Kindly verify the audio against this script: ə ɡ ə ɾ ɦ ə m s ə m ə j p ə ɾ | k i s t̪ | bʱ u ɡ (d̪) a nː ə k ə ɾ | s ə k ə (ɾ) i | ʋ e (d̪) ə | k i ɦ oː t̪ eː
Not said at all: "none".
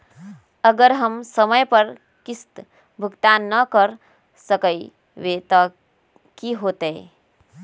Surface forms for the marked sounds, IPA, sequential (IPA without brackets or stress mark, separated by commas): t̪, none, t̪